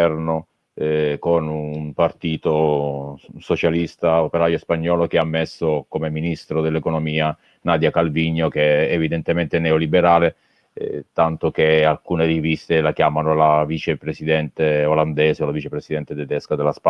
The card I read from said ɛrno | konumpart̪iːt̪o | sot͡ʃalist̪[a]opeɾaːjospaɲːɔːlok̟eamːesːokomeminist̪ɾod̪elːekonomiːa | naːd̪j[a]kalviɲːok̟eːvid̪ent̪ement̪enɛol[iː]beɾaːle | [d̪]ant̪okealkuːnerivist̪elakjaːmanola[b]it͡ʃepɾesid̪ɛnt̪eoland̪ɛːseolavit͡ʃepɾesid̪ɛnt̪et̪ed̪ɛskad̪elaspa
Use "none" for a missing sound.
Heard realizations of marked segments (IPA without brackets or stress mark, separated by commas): a, a, i, t̪, v